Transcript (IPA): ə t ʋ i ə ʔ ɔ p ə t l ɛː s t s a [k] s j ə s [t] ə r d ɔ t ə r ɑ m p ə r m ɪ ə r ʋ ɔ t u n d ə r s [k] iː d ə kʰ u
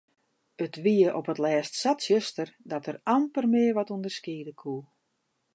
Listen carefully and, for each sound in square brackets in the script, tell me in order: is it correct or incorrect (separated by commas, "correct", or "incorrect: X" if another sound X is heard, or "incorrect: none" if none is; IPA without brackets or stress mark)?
incorrect: t, correct, correct